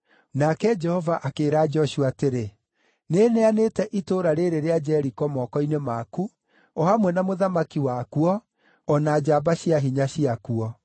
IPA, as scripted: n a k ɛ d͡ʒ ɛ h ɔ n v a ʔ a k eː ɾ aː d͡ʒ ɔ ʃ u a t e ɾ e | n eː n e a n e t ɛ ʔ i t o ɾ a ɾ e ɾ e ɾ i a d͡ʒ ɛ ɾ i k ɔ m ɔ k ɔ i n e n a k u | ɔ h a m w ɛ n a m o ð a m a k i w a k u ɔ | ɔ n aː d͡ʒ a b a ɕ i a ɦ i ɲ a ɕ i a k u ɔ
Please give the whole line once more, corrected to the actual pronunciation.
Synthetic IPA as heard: n a k ɛ d͡ʒ ɛ h ɔ v a ʔ a k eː ɾ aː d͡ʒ ɔ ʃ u a t e ɾ e | n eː n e a n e t ɛ ʔ i t o ɾ a ɾ e ɾ e ɾ e a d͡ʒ ɛ ɾ i k ɔ m ɔ k ɔ i n e m a k u | ɔ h a m w ɛ n a m o ð a m a k i w a k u ɔ | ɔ n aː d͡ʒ a b a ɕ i a ɦ i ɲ a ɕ i a k u ɔ